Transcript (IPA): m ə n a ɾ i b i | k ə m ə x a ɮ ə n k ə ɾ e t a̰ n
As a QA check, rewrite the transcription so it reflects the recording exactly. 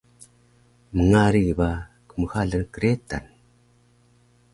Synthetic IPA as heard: m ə ŋ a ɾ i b a | k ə m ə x a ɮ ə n k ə ɾ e t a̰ n

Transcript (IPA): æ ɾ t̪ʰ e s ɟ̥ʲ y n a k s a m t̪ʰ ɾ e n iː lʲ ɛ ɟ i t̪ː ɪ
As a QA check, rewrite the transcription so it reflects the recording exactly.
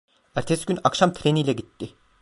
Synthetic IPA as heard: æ ɾ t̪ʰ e s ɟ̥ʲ y n a k ʃ a m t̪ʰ ɾ e n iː lʲ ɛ ɟ i t̪ː ɪ

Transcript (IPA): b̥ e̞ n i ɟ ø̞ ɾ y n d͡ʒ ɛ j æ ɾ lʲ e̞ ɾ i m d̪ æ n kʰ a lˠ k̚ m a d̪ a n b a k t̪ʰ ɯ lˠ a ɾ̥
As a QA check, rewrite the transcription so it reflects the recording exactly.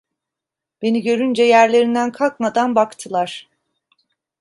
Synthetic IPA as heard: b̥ e̞ n i ɟ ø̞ ɾ y n d͡ʒ ɛ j æ ɾ lʲ e̞ ɾ i n d̪ æ n kʰ a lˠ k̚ m a d̪ a n b a k t̪ʰ ɯ lˠ a ɾ̥

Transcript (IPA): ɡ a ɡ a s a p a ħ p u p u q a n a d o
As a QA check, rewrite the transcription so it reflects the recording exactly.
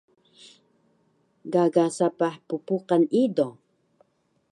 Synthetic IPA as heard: ɡ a ɡ a s a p a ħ p u p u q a n i d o

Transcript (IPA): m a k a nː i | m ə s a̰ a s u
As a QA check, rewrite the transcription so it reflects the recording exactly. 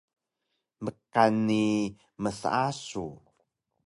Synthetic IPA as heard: m ə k a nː i | m ə s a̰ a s u

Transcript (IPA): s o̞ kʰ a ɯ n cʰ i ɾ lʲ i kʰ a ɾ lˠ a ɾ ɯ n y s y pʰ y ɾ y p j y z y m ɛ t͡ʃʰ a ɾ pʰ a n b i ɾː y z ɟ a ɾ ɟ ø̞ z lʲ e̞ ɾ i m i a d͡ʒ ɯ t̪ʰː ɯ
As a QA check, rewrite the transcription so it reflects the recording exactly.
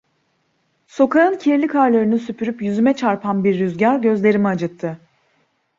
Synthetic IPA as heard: s o̞ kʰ a ɯ n cʰ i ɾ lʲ i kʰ a ɾ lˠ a ɾ ɯ n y s y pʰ y ɾ y p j y z y m ɛ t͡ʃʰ a ɾ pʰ a n b i ɾː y z ɟ a ɾ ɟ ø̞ z lʲ e̞ ɾ i m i a d͡ʒ ɯ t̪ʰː ɯ

